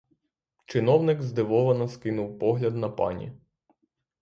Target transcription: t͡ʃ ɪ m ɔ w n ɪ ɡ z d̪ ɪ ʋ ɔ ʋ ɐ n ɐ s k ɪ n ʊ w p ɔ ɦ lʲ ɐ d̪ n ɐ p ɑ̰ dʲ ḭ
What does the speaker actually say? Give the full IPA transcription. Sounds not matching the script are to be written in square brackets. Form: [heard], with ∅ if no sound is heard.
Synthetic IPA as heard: t͡ʃ ɪ [n] ɔ w n ɪ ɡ z d̪ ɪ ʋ ɔ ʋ ɐ n ɐ s k ɪ n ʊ w p ɔ ɦ lʲ ɐ d̪ n ɐ p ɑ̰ [nʲ] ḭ